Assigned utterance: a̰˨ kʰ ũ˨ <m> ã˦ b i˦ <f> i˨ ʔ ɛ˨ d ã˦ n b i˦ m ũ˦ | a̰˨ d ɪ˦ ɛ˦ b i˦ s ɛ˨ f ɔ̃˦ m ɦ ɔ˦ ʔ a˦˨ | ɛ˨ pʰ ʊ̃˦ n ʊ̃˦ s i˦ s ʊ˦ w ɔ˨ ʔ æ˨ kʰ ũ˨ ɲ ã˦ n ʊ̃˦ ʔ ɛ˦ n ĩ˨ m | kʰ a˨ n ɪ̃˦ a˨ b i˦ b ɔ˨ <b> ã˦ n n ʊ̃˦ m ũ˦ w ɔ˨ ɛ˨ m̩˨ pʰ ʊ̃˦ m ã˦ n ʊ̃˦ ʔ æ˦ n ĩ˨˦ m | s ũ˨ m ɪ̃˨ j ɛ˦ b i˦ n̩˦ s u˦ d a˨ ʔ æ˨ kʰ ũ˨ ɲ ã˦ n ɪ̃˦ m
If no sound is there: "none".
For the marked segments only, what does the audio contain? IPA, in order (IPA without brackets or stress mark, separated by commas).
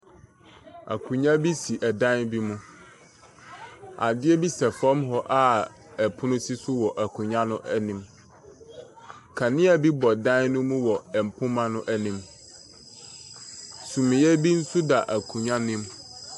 ɲ, s, d